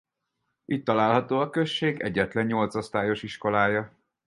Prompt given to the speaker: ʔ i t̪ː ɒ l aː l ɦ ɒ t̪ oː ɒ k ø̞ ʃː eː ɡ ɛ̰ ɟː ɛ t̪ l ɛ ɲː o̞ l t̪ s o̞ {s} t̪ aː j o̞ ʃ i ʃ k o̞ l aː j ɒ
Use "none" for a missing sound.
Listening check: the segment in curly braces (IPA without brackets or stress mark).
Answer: s